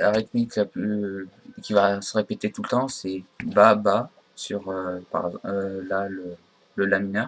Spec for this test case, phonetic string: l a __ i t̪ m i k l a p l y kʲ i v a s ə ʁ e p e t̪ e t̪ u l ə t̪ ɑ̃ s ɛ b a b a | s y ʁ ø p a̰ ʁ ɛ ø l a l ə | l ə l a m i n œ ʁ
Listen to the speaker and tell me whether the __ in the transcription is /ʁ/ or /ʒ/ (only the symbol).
ʁ